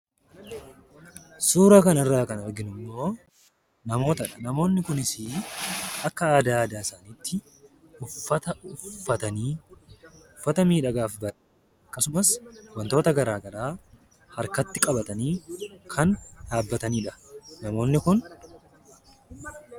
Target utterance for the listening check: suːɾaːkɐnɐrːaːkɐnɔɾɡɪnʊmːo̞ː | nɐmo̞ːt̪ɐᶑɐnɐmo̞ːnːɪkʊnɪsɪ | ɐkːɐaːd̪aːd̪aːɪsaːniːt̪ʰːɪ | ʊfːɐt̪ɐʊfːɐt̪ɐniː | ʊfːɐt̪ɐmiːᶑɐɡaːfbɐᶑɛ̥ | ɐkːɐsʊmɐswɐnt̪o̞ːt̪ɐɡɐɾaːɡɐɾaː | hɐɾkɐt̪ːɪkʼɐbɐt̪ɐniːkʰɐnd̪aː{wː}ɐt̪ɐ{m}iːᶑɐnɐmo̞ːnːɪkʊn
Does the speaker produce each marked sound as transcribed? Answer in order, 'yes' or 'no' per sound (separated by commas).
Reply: no, no